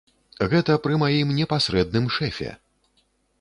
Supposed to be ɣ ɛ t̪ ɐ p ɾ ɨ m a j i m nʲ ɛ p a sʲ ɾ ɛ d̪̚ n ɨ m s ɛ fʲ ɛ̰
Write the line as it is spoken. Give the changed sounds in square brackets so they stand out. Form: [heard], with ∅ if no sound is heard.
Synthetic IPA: ɣ ɛ t̪ ɐ p ɾ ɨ m a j i m nʲ ɛ p a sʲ ɾ ɛ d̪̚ n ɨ m [ʂ] ɛ fʲ ɛ̰